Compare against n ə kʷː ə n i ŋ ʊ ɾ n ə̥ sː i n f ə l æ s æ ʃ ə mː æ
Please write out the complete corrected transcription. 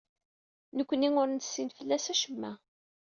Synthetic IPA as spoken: n ə kʷː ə n i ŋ ʊ ɾ n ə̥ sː i n f ə lː æ s æ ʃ ə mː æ